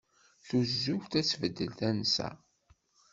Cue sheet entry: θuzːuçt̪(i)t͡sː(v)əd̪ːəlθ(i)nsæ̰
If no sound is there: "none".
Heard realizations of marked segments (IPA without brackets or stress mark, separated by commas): æ, v, æ